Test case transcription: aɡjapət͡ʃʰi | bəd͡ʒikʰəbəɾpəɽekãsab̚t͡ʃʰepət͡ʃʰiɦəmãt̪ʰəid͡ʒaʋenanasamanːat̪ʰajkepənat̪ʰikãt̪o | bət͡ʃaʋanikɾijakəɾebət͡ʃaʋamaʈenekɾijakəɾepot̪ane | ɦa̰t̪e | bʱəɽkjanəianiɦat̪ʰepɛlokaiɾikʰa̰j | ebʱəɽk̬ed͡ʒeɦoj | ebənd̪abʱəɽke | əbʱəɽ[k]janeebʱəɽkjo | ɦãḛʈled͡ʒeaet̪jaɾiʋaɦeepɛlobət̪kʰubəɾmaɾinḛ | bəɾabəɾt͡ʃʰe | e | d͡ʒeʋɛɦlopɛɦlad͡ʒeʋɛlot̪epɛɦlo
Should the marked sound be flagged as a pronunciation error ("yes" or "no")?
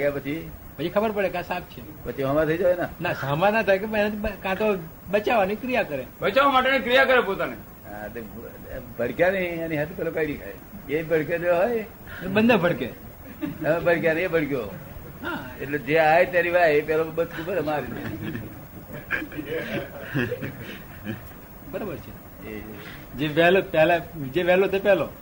no